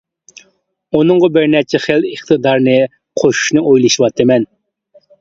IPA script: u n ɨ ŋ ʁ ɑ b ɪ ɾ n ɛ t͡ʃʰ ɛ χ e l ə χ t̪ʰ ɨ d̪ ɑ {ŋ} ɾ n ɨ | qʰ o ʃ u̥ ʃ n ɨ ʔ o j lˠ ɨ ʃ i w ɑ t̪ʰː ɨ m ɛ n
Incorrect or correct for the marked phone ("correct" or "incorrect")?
incorrect